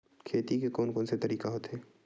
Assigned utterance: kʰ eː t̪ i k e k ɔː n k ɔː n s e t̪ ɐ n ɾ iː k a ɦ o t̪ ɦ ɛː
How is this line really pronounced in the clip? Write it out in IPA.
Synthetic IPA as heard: kʰ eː t̪ i k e k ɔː n k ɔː n s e t̪ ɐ ɾ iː k a ɦ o t̪ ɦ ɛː